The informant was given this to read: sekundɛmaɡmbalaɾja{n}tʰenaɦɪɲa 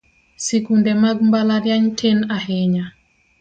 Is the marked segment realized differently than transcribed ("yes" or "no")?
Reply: yes